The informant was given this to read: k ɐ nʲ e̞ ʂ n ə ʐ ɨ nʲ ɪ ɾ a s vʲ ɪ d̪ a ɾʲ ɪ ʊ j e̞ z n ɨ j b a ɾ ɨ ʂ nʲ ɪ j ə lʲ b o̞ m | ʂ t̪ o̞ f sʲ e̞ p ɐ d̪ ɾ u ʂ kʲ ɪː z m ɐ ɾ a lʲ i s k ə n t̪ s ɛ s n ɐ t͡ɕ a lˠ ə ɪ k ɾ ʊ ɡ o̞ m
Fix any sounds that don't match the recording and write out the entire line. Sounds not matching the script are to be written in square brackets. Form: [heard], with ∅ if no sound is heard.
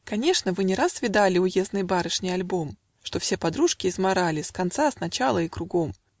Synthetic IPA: k ɐ nʲ e̞ ʂ n ə [v] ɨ nʲ ɪ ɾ a s vʲ ɪ d̪ a [lʲ] ɪ ʊ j e̞ z n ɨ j b a ɾ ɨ ʂ nʲ ɪ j [ɐ] lʲ b o̞ m | ʂ t̪ o̞ f sʲ e̞ p ɐ d̪ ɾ u ʂ kʲ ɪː z m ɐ ɾ a lʲ [ɪ] s k [ɐ] n t̪ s [a] s n ɐ t͡ɕ a lˠ ə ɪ k ɾ ʊ ɡ o̞ m